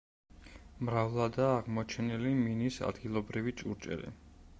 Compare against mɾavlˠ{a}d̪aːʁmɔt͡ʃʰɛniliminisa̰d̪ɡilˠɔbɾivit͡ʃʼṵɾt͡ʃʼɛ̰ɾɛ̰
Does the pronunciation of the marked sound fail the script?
no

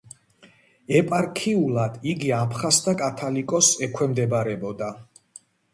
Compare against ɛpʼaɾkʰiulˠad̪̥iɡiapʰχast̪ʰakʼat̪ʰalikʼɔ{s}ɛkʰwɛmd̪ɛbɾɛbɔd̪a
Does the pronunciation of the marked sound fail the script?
no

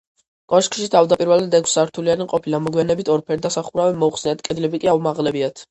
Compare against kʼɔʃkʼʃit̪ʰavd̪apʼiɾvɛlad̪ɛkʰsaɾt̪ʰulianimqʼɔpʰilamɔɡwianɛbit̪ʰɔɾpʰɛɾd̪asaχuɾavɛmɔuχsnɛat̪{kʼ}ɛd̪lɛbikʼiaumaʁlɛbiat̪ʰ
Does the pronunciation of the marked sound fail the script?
no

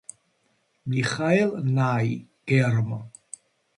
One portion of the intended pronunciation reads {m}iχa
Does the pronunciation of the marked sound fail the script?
no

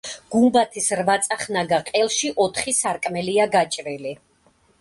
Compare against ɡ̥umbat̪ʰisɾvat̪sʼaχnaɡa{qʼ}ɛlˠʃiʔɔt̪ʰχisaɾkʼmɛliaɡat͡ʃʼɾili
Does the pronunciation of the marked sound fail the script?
no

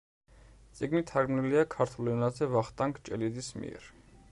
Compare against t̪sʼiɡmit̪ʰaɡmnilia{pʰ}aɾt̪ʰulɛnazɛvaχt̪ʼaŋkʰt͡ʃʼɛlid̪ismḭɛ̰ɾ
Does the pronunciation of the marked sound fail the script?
yes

